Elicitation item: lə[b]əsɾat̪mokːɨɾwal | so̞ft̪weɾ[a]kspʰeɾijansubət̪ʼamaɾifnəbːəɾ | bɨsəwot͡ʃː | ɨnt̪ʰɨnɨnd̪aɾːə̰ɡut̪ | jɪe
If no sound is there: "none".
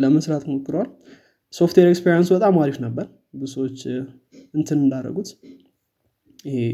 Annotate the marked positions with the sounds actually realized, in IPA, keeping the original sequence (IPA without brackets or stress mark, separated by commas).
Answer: m, e